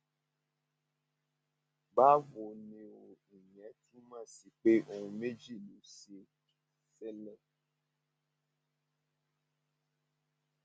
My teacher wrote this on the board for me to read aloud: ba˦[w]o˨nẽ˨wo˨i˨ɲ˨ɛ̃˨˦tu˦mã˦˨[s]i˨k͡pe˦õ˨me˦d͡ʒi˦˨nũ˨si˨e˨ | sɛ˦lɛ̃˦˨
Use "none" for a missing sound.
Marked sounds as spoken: v, s

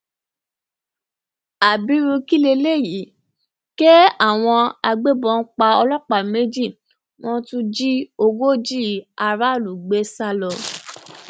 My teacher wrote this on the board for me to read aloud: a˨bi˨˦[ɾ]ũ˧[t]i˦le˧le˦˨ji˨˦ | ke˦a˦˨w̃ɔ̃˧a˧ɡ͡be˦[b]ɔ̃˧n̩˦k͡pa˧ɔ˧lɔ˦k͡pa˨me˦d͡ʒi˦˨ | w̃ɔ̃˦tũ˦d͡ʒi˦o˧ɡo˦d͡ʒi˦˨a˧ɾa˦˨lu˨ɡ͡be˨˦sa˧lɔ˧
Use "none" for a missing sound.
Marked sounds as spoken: ɾ, k, b

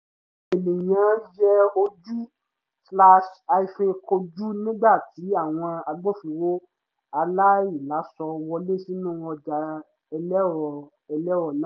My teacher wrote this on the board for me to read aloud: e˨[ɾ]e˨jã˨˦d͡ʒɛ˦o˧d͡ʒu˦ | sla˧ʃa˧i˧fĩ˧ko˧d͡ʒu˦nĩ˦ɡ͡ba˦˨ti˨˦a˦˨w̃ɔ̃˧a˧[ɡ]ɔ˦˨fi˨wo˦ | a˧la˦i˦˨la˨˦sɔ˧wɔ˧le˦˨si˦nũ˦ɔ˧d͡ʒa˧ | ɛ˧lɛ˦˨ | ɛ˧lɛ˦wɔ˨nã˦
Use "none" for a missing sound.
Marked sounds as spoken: l, ɡ͡b

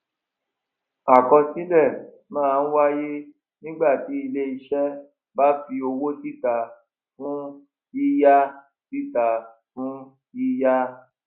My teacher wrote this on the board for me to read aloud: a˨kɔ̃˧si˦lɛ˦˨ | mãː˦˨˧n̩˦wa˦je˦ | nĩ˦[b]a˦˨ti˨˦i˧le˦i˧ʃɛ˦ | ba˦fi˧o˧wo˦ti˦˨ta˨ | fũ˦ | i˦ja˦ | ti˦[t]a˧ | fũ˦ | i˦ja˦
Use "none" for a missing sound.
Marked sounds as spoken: ɡ͡b, t

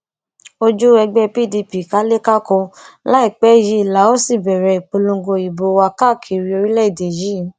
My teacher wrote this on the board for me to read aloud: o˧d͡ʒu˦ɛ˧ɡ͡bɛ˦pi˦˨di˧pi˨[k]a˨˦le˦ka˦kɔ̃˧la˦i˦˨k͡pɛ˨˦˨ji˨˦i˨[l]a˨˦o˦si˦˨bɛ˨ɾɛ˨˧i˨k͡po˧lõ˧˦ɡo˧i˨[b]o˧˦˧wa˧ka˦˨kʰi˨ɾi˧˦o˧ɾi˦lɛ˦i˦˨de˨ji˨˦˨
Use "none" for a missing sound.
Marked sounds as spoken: k, l, b

